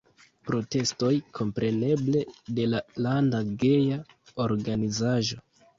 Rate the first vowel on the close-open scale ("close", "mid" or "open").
mid